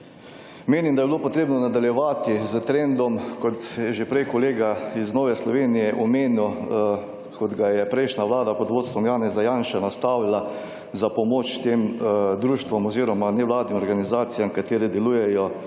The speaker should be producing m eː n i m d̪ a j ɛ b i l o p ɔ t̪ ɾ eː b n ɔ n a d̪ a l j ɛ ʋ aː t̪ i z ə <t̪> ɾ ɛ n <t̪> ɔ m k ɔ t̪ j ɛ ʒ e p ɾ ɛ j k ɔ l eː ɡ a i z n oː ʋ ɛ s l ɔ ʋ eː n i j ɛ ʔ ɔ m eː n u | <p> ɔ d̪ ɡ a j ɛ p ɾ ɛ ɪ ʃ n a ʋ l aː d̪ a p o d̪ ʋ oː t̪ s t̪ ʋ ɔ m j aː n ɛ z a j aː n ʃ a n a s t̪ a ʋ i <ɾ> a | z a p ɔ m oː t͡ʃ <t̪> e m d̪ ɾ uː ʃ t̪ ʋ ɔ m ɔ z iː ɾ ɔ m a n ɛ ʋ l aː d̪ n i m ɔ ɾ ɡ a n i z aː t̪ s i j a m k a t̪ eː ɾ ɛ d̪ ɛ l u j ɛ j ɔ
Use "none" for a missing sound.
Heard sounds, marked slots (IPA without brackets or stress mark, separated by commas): t̪, d̪, k, l, t̪